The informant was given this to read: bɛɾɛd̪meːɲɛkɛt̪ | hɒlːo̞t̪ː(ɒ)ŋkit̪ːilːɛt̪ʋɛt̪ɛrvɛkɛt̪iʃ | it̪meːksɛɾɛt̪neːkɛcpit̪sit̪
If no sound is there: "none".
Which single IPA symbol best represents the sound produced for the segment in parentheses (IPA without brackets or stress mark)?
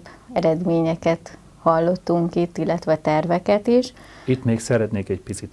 u